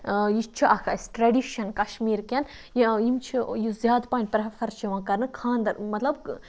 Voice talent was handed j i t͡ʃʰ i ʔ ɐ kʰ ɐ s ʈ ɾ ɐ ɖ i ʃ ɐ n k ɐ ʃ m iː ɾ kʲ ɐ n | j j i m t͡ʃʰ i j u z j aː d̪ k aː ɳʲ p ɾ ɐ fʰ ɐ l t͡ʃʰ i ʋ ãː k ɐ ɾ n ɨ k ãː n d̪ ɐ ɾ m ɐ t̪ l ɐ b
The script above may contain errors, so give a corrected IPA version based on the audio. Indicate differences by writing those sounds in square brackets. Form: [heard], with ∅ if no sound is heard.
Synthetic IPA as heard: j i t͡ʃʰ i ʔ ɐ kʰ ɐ s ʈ ɾ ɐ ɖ i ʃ ɐ n k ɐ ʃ m iː ɾ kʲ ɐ n | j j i m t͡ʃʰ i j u z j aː d̪ [p] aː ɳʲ p ɾ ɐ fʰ ɐ [ɾ] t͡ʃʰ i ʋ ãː k ɐ ɾ n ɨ [kʰ] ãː n d̪ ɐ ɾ m ɐ t̪ l ɐ b